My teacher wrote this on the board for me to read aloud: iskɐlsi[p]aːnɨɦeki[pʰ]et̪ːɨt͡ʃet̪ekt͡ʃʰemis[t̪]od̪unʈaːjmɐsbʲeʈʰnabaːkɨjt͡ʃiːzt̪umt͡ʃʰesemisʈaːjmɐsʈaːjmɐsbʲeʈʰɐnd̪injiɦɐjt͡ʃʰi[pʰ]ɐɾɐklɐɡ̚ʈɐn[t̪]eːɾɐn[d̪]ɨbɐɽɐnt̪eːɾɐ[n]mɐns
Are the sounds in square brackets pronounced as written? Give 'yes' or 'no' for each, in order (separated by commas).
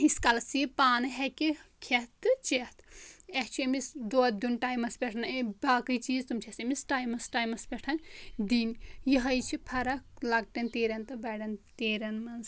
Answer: yes, no, no, yes, yes, no, yes